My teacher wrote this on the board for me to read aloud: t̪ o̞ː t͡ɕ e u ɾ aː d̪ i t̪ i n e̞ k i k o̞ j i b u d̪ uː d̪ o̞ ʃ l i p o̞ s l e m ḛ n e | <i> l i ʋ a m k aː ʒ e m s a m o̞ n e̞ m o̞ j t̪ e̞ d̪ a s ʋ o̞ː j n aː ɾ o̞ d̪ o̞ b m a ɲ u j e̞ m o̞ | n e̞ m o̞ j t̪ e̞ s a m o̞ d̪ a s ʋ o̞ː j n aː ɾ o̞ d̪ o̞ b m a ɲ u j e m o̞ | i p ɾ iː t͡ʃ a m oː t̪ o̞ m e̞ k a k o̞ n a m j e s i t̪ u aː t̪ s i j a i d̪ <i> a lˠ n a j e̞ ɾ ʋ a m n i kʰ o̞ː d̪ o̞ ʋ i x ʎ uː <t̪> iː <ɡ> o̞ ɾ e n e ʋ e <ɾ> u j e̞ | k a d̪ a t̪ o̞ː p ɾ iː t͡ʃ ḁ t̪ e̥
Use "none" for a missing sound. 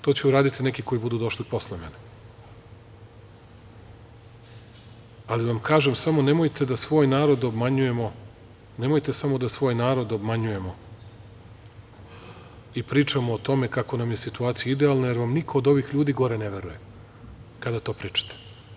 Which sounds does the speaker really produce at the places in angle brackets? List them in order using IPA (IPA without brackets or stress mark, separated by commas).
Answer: a, e, d̪, ɡ, ɾ